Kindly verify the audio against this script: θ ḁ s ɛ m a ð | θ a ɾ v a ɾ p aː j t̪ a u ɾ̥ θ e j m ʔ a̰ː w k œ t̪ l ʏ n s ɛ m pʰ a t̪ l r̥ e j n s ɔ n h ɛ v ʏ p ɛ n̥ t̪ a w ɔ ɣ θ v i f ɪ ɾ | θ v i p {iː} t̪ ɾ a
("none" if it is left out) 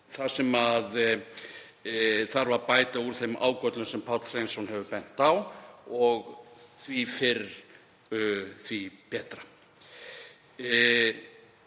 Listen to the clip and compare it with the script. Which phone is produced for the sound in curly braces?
ɛː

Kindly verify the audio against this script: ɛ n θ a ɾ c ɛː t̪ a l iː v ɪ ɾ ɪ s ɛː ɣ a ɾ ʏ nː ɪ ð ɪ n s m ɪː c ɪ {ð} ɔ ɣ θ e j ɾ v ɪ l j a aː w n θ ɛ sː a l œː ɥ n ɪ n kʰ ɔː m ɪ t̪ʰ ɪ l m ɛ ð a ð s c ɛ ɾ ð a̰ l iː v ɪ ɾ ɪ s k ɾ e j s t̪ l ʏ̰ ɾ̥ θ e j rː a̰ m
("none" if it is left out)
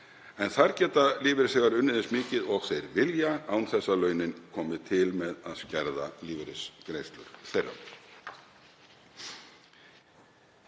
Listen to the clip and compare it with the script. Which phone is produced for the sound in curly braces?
ð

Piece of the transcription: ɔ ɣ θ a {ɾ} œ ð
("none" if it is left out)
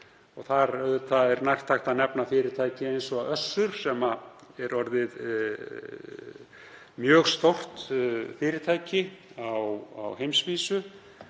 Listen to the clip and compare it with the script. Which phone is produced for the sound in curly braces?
ɾ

